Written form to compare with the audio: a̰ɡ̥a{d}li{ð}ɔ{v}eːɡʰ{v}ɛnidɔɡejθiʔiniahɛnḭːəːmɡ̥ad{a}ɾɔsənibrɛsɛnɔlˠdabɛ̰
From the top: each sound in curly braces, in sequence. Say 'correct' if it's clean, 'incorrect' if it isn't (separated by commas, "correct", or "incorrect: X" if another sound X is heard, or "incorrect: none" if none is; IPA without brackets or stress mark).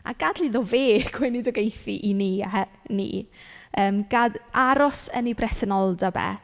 correct, correct, correct, incorrect: w, correct